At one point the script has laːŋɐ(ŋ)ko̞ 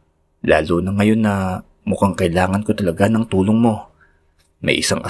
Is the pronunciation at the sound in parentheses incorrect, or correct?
incorrect